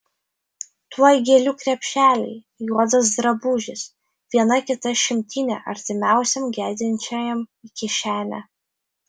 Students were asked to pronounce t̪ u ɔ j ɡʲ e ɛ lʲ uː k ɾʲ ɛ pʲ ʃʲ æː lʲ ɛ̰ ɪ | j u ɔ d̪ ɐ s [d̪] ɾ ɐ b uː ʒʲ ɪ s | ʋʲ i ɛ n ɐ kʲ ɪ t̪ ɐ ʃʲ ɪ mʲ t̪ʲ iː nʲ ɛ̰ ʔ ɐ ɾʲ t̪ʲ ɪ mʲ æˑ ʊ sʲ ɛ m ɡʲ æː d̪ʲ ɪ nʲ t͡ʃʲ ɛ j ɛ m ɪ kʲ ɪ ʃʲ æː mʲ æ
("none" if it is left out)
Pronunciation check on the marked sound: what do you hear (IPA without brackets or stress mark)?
d̪